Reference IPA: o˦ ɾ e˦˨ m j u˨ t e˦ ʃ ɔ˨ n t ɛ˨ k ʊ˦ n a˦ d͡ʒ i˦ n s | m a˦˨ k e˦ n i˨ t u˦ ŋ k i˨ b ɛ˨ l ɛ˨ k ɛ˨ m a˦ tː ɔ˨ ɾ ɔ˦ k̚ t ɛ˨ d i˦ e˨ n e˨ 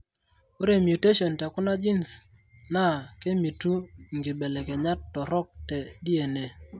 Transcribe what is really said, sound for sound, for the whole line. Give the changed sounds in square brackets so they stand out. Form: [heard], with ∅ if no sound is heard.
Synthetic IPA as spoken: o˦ ɾ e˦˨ m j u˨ t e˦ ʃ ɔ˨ n t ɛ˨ k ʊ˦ n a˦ d͡ʒ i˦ n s | [n] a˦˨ k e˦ [m] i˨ t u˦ ŋ [ɡ] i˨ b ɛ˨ l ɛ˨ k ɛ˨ [ɲ] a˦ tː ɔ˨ ɾ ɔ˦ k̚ t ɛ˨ d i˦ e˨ n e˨

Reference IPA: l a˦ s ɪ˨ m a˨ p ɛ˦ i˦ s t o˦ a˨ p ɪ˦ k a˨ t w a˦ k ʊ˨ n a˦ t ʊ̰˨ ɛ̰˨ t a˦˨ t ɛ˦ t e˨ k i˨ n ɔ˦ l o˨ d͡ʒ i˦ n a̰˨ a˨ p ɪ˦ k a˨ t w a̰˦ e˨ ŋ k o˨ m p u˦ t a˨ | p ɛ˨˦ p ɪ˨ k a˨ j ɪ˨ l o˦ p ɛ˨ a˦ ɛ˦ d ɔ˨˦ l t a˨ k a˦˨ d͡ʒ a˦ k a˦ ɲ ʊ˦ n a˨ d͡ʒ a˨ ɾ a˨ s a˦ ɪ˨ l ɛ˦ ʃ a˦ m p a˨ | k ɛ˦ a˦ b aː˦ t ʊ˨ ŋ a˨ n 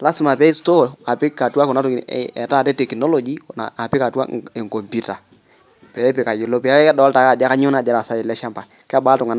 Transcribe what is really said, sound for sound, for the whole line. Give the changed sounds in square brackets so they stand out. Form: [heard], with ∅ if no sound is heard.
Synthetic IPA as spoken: l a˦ s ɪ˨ m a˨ p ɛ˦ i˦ s t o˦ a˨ p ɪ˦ k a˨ t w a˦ k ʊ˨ n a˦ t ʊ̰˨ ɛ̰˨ t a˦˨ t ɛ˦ t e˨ k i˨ n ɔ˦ l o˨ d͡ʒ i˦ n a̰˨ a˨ p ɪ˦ k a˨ t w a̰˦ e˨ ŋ k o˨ m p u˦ t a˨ | p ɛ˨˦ p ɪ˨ k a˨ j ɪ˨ l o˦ p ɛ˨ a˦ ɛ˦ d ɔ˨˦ l t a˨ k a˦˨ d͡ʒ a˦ k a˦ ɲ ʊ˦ n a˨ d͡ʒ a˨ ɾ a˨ s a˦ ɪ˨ l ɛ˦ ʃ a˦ m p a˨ | k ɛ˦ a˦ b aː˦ t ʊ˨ ŋ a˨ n

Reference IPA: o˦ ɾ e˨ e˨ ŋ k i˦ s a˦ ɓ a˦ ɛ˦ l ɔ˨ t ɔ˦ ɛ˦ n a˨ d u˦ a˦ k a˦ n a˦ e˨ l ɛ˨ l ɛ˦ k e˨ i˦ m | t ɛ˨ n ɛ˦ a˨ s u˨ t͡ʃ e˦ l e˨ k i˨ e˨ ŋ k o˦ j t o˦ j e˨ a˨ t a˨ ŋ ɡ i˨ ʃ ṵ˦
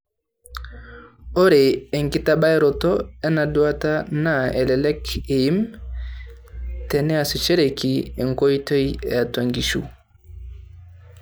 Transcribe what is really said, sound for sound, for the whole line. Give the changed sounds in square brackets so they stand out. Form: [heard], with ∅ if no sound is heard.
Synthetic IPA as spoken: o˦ ɾ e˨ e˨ ŋ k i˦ [t] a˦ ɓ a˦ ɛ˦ [ɾ] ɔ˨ t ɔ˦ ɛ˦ n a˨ d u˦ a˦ [t] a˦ n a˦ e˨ l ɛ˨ l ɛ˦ k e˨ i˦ m | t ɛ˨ n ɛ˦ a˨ s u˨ t͡ʃ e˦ [ɾ] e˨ k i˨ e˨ ŋ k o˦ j t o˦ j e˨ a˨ t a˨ ŋ ɡ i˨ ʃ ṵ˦

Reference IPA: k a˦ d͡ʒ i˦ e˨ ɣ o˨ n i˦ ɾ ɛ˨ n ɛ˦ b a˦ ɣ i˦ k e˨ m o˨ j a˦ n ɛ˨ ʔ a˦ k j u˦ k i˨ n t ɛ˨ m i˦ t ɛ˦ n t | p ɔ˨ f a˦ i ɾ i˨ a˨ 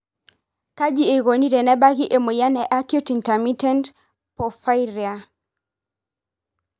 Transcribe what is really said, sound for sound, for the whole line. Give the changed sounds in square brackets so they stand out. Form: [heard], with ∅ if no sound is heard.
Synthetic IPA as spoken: k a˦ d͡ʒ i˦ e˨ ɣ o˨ n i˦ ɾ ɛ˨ n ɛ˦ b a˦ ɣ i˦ [ʔ] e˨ m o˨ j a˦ n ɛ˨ ʔ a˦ k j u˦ [t] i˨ n t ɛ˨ m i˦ t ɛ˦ n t | p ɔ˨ f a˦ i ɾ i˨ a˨

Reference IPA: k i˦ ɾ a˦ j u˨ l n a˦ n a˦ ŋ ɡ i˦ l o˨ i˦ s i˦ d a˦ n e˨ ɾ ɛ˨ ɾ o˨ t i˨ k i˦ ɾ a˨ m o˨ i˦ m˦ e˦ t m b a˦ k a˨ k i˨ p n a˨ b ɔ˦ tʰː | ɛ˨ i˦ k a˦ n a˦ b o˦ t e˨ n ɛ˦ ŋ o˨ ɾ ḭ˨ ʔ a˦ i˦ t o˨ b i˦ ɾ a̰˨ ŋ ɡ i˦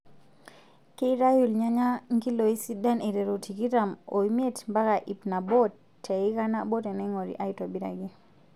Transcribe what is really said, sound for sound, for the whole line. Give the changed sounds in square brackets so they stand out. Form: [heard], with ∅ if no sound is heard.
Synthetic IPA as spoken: k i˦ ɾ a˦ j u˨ l [ɲ] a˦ [ɲ] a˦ ŋ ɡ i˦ l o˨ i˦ s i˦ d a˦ n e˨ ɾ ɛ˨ ɾ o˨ t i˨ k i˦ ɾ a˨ m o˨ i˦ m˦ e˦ t m b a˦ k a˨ [ʔ] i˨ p n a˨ b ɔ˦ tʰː | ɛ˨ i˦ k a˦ n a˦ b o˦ t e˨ n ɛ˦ ŋ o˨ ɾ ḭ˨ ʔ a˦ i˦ t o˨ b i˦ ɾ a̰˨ [∅] ɡ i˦

